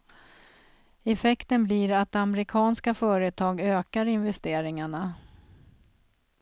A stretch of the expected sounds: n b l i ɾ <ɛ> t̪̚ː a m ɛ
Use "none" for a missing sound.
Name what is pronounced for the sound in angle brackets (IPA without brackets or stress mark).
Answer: a